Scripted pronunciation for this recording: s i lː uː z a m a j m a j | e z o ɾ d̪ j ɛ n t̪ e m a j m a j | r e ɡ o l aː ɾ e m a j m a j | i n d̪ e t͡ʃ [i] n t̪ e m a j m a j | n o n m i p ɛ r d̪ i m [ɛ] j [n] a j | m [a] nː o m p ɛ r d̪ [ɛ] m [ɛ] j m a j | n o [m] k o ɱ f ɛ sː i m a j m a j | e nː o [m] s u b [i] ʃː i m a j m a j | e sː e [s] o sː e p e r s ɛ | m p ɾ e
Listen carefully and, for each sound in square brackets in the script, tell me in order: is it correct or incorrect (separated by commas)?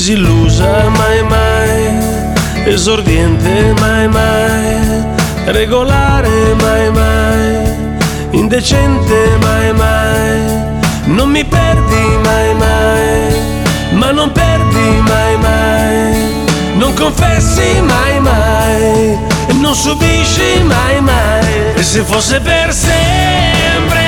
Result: incorrect, incorrect, incorrect, correct, incorrect, incorrect, incorrect, incorrect, correct, incorrect